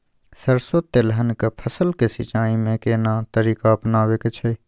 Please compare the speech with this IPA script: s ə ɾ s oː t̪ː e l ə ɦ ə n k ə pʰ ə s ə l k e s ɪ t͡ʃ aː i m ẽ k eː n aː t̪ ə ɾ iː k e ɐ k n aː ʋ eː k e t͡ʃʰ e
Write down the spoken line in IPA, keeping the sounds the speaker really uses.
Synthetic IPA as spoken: s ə ɾ s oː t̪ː e l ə ɦ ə n k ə pʰ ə s ə l k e s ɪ t͡ʃ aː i m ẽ k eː n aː t̪ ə ɾ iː k a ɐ p n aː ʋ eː k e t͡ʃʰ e